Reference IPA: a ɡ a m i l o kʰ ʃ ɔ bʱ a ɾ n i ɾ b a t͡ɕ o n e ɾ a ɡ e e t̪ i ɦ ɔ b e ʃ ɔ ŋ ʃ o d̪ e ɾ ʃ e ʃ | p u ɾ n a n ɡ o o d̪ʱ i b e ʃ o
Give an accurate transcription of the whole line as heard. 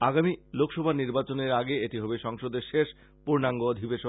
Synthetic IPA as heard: a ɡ a m i l o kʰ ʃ ɔ bʱ a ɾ n i ɾ b a t͡ɕ o n e ɾ a ɡ e e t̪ i ɦ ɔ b e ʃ ɔ ŋ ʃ o d̪ e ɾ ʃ e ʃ | p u ɾ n a ŋ ɡ o o d̪ʱ i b e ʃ o